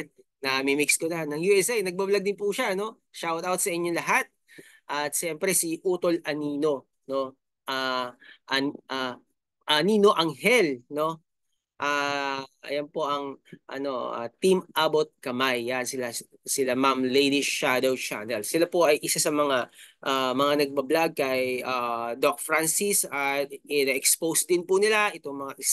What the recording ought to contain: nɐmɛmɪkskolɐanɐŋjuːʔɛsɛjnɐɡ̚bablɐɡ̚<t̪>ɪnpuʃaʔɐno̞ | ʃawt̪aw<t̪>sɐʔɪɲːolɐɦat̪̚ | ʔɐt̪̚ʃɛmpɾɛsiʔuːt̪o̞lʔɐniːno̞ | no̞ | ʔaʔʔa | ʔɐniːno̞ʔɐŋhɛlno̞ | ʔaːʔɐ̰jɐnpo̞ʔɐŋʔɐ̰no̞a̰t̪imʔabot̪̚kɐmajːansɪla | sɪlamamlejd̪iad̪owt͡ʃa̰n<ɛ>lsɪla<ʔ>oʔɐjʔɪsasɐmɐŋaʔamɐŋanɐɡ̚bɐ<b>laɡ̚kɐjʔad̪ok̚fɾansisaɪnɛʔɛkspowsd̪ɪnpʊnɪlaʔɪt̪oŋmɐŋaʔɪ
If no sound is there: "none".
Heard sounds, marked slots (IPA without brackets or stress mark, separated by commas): d̪, t̪, ɛ, p, b